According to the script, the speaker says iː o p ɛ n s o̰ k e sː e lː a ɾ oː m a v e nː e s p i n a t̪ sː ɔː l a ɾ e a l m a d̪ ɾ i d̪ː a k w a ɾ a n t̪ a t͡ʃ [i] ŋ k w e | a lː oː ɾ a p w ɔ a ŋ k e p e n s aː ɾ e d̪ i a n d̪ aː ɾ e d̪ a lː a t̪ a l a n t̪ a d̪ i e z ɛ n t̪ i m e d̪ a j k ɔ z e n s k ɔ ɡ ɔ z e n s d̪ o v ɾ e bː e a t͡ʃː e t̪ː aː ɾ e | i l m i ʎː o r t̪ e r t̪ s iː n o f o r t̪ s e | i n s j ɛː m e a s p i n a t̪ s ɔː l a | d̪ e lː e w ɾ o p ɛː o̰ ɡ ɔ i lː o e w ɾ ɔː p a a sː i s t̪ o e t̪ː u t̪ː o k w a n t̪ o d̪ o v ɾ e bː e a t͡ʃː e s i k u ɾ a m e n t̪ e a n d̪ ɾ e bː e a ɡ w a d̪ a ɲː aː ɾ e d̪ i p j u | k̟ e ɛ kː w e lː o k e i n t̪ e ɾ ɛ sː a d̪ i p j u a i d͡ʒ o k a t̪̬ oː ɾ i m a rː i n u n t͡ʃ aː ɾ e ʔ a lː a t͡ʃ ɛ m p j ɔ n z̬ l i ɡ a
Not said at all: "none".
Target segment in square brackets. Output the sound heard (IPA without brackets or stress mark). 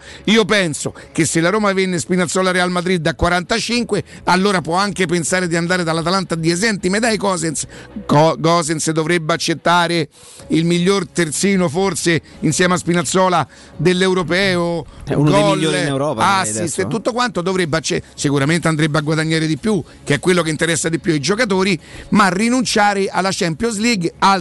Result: i